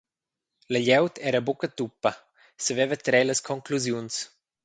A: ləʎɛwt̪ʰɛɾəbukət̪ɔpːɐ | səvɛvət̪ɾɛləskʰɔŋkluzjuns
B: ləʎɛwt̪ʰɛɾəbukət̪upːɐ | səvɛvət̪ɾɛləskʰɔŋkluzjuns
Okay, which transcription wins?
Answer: B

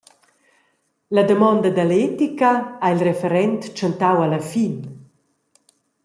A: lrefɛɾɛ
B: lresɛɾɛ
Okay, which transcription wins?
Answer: A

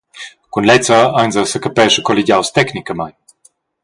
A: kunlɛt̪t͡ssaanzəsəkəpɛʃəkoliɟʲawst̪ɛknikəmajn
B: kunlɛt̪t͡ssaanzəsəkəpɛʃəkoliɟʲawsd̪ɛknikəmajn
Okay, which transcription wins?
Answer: A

